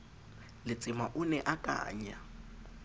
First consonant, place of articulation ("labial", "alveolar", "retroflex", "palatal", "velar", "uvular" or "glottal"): alveolar